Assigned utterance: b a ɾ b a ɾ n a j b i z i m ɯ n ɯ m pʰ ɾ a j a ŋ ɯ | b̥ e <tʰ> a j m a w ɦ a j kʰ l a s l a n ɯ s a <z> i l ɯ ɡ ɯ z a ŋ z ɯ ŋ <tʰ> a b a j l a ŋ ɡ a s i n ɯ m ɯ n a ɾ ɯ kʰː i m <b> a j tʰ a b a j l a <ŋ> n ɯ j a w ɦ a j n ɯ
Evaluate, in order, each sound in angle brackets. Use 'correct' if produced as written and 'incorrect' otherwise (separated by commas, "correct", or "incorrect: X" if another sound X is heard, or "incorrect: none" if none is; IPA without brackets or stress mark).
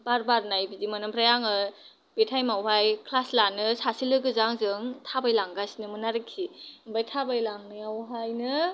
correct, incorrect: s, correct, correct, correct